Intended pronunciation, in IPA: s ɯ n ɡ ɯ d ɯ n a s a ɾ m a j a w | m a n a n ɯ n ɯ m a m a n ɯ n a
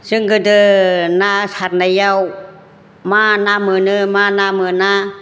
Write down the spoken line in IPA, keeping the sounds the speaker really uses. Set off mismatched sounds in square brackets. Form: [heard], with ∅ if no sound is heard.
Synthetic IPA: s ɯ [ŋ] ɡ ɯ d ɯ n a s a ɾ [n] a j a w | m a n a [m] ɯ n ɯ m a [n] a [m] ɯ n a